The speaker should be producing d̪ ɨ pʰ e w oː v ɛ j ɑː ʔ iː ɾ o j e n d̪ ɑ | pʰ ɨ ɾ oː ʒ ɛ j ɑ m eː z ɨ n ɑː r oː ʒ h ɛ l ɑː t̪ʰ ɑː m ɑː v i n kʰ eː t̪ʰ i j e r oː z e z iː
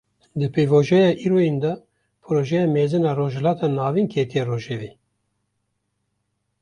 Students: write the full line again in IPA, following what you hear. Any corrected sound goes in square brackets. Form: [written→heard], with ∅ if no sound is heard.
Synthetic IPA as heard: d̪ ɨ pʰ e [w→v] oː [v→ʒ] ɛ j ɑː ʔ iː ɾ o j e n d̪ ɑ | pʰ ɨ ɾ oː ʒ ɛ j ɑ m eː z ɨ n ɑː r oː ʒ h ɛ l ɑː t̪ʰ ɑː [m→n] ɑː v i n kʰ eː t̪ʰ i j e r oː [z→ʒ] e [z→v] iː